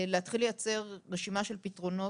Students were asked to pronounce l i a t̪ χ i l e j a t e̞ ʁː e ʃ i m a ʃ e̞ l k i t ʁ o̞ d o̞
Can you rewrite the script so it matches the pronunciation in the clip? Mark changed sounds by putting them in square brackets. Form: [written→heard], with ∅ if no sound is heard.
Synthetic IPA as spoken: l [i→e] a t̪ χ i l e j a [t→t͡s] e̞ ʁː e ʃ i m a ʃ e̞ l [k→p] i t ʁ o̞ [d→n] o̞